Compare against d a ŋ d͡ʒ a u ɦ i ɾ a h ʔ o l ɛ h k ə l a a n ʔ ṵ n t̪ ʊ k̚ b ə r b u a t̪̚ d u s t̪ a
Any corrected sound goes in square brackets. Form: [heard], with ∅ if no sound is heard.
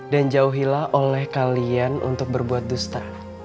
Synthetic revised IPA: d a [n] d͡ʒ a u ɦ i [l] a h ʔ o l ɛ h k [a] l [i] a n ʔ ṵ n t̪ ʊ k̚ b ə r b u a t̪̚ d u s t̪ a